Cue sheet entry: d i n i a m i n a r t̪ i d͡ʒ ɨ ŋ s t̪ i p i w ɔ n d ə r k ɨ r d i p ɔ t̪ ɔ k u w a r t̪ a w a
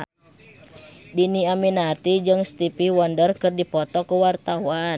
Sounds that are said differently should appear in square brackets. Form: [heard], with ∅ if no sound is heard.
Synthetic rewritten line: d i n i a m i n a r t̪ i d͡ʒ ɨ ŋ s t̪ i p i w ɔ n d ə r k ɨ r d i p ɔ t̪ ɔ k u w a r t̪ a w a